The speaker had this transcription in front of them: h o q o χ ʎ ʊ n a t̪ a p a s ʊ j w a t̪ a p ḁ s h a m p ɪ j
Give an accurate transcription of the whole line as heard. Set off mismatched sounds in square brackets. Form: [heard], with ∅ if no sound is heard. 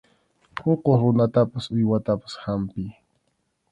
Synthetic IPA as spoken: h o q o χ [ɾ] ʊ n a t̪ a p a s ʊ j w a t̪ a p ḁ s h a m p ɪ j